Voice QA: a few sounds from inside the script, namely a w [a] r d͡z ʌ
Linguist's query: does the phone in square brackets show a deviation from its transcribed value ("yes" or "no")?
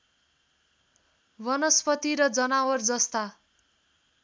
yes